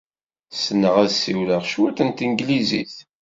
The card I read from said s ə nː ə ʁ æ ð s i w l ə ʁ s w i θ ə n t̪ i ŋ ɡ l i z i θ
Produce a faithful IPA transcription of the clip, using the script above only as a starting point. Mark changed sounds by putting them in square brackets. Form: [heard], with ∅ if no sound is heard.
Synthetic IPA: s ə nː ə ʁ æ ð s i w l ə ʁ [ʃ] w [æ] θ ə n t̪ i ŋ ɡ l i z i θ